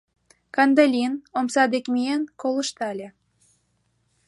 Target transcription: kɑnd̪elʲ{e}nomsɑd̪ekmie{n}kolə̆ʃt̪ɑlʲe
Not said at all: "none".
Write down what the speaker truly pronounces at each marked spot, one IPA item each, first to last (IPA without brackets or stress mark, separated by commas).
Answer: i, n